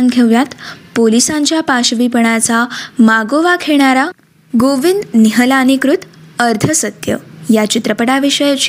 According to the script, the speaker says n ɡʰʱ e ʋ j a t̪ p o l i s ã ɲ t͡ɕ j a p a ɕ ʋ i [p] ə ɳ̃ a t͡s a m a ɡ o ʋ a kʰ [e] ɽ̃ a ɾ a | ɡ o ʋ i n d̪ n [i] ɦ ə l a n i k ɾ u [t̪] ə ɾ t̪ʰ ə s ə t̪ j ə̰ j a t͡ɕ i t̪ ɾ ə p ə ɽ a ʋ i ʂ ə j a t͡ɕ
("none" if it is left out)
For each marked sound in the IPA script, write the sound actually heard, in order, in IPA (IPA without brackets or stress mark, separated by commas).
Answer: p, e, i, t̪